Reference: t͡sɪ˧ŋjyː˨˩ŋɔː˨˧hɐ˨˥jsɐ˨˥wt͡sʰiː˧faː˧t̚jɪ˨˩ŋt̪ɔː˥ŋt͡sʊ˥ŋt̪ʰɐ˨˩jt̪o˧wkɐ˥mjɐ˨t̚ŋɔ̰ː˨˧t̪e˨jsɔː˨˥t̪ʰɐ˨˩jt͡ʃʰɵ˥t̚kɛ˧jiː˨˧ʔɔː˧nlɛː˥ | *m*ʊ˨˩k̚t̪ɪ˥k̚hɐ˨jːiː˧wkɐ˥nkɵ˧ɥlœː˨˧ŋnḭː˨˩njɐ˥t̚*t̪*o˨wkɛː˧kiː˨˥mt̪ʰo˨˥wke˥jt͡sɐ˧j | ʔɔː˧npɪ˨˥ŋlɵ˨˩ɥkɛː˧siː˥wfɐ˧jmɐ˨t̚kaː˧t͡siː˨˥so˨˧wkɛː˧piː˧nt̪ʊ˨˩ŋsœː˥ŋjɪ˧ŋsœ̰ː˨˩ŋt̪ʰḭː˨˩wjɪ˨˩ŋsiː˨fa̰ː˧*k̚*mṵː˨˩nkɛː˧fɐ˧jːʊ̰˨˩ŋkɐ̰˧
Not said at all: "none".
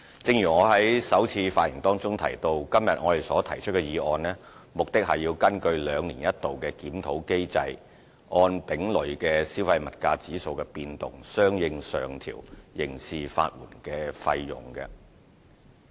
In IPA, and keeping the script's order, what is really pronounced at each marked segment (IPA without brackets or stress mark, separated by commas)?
m, t̪, t̚